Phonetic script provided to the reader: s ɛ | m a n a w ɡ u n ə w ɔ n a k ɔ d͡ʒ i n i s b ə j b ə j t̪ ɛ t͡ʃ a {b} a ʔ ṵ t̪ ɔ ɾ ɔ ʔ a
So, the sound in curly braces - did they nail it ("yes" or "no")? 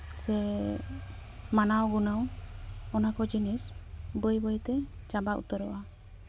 yes